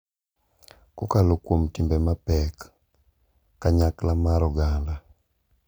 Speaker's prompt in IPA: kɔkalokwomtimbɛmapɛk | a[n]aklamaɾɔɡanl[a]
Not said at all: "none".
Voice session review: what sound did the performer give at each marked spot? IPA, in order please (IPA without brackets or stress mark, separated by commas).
ɲ, a